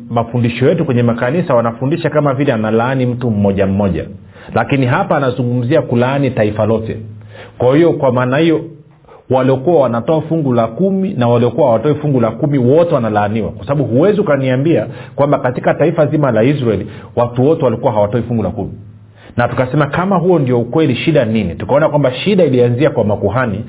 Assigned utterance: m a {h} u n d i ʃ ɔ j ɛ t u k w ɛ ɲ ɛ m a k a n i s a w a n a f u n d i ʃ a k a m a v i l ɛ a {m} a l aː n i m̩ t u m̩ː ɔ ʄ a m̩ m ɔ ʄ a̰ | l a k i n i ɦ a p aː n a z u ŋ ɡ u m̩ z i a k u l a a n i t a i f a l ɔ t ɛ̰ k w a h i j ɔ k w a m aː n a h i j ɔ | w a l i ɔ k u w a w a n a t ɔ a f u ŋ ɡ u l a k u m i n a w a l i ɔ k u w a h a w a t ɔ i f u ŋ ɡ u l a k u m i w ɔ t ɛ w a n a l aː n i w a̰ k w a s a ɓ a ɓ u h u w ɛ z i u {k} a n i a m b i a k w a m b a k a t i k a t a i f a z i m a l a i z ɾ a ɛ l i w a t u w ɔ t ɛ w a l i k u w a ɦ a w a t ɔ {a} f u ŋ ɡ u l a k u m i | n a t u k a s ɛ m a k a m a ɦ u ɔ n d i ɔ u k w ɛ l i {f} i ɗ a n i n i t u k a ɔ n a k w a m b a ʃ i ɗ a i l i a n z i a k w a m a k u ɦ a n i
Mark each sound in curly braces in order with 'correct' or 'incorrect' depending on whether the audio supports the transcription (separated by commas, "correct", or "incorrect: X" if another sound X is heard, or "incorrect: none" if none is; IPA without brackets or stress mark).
incorrect: f, incorrect: n, correct, incorrect: i, incorrect: ʃ